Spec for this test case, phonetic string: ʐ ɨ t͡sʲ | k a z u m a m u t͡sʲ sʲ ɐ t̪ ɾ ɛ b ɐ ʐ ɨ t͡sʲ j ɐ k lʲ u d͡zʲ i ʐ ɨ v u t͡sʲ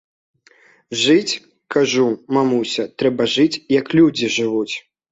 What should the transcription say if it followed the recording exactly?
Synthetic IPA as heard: ʐ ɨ t͡sʲ | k a ʐ u m a m u sʲ ɐ t̪ ɾ ɛ b ɐ ʐ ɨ t͡sʲ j ɐ k lʲ u d͡zʲ i ʐ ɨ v u t͡sʲ